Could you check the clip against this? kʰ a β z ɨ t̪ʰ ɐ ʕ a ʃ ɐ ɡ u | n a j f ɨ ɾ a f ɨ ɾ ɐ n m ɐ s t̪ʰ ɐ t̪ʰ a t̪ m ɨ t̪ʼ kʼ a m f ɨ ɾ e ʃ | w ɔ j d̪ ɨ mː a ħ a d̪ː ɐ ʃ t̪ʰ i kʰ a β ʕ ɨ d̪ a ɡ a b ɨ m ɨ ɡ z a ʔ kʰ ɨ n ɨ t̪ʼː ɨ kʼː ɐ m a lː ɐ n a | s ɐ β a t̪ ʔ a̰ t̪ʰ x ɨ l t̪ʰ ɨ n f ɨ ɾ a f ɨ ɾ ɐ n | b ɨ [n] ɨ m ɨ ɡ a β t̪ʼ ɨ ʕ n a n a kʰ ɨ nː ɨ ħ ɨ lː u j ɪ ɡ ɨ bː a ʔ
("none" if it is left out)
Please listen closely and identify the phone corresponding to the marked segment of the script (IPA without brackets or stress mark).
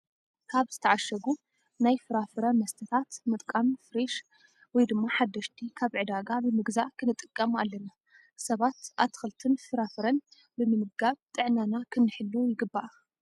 m